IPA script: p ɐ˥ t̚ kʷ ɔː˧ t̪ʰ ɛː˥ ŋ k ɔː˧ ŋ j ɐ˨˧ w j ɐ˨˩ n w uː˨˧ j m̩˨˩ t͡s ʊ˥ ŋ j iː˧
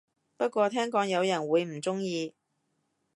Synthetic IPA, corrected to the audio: p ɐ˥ t̚ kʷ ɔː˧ t̪ʰ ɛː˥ ŋ k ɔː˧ ŋ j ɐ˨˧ w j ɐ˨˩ n w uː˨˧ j m̩˨˩ t͡s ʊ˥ ŋ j iː˧